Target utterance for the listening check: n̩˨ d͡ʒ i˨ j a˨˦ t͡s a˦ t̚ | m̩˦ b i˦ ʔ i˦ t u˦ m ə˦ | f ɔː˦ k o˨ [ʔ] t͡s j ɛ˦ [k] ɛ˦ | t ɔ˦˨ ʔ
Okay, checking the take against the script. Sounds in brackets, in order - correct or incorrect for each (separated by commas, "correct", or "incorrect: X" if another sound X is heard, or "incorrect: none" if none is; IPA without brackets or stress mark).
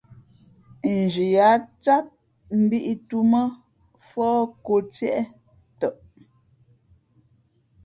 incorrect: none, incorrect: ʔ